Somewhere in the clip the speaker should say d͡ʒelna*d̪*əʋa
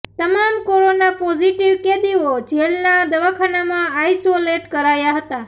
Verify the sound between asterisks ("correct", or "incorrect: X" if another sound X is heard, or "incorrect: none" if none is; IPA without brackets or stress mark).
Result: correct